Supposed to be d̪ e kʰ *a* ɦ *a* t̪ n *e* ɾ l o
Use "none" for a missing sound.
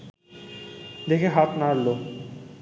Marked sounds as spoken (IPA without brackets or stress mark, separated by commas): e, a, a